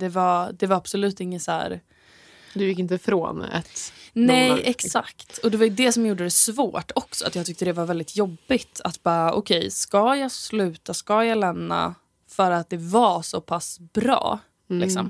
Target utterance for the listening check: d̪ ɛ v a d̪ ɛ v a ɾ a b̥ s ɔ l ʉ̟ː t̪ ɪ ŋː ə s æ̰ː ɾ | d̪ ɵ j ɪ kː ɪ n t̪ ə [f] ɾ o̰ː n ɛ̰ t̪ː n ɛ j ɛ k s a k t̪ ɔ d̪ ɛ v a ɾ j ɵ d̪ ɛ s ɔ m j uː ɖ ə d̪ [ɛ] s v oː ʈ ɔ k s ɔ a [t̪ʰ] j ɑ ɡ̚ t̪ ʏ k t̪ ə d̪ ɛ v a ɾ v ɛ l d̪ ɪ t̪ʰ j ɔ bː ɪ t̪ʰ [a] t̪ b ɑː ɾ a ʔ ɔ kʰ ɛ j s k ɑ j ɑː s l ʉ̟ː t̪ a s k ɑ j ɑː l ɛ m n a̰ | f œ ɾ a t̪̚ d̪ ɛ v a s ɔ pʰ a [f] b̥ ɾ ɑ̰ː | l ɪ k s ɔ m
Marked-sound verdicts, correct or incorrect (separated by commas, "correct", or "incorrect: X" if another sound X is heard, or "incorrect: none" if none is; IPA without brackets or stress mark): correct, correct, incorrect: t̪, correct, incorrect: s